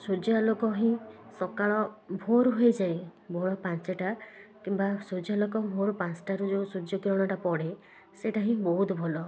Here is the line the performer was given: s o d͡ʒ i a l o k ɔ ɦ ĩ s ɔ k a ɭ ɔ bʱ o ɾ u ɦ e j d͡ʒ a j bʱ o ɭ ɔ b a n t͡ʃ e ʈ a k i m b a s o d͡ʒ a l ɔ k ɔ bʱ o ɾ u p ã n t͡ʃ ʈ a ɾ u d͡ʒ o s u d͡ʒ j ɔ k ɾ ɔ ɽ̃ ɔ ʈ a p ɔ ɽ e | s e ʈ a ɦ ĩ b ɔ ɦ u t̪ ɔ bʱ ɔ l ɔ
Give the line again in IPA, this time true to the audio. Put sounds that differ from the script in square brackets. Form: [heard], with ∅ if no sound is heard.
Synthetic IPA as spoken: s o d͡ʒ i a l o k ɔ ɦ ĩ s ɔ k a ɭ ɔ bʱ o ɾ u ɦ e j d͡ʒ a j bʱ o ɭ ɔ [p] a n t͡ʃ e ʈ a k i m b a s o d͡ʒ a l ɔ k ɔ bʱ o ɾ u p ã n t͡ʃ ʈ a ɾ u d͡ʒ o s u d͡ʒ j ɔ k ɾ ɔ ɽ̃ ɔ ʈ a p ɔ ɽ e | s e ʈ a ɦ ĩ b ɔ ɦ u t̪ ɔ bʱ ɔ l ɔ